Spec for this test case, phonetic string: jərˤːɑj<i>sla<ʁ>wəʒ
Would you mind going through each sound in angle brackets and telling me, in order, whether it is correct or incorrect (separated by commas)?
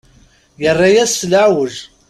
incorrect, incorrect